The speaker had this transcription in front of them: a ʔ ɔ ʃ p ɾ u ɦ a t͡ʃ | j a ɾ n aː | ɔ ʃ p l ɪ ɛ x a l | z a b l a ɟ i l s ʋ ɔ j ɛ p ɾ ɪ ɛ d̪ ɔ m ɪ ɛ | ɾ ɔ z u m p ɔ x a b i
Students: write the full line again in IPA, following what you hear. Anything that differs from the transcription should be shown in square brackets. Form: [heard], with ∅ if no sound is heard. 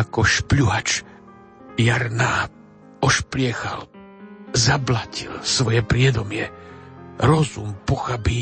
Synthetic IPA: a [k] ɔ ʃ p [ʎ] u ɦ a t͡ʃ | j a ɾ n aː | ɔ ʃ p l ɪ ɛ x a l | z a b l a [c] i l s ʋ ɔ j ɛ p ɾ ɪ ɛ d̪ ɔ m ɪ ɛ | ɾ ɔ z u m p ɔ x a b i